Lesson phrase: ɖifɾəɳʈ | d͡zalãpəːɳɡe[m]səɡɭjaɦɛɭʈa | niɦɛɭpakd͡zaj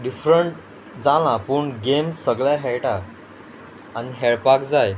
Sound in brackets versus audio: correct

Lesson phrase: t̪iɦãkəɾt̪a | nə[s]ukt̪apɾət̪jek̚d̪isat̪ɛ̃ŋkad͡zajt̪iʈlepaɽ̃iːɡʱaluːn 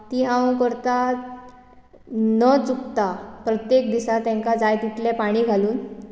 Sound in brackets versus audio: incorrect: t͡s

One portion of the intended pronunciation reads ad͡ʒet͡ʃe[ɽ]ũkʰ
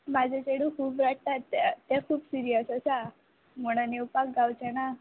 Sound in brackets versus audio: correct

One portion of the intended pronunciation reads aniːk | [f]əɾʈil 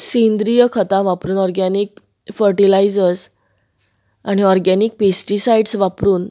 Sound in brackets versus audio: correct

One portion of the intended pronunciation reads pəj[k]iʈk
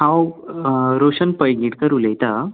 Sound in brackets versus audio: incorrect: ɡ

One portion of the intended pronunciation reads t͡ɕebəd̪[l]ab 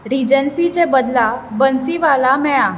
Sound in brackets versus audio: correct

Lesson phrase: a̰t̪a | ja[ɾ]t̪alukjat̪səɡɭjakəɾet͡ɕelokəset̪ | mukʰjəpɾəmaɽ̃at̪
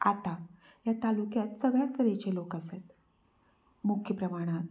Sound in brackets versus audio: incorrect: none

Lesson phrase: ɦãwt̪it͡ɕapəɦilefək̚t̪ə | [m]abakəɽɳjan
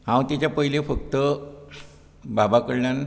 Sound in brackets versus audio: incorrect: b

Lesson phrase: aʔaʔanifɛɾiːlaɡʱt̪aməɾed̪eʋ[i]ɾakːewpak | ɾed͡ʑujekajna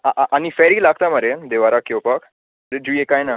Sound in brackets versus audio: incorrect: a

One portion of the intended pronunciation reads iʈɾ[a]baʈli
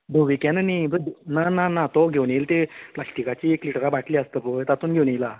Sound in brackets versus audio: correct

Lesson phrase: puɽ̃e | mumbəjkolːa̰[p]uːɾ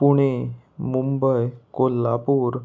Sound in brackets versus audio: correct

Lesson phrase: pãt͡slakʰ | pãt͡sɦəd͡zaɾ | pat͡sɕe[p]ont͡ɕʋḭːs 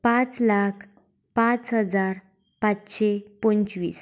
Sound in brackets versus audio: correct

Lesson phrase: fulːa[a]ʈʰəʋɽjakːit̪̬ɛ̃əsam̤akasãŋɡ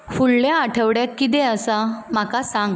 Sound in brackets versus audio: correct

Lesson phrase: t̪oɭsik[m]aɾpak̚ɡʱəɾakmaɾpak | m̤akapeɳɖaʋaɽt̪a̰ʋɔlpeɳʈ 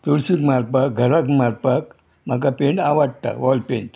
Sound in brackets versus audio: correct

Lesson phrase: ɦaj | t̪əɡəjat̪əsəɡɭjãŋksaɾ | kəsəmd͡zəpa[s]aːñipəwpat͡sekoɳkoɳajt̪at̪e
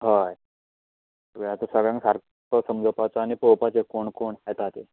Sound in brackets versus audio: incorrect: t͡s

